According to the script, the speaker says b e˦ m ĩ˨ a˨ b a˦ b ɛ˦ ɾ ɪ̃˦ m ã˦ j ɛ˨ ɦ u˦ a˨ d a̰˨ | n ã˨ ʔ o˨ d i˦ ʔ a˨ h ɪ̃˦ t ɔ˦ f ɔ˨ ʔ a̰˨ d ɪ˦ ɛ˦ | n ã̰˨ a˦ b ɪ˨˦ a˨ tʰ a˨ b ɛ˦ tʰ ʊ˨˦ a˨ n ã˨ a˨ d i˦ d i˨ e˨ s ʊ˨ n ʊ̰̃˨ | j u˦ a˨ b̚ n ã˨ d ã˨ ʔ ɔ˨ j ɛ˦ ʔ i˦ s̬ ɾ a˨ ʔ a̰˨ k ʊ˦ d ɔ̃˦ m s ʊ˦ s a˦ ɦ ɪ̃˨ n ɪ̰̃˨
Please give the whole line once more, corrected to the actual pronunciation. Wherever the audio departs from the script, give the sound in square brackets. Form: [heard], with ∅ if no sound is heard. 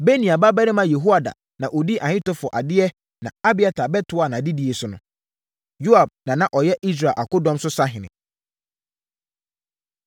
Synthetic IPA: b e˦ [n] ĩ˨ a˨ b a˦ b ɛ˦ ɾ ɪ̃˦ m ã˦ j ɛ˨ ɦ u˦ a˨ d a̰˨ | n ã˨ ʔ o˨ d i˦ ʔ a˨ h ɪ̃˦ t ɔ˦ f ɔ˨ ʔ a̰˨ d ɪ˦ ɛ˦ | n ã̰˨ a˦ b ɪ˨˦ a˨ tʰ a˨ b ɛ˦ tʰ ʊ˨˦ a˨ n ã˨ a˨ d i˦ d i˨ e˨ s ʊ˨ n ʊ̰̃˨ | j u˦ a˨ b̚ n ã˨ [n] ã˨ ʔ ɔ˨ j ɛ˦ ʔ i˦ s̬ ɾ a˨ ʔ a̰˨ k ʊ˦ d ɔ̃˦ m s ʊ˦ s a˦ ɦ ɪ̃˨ n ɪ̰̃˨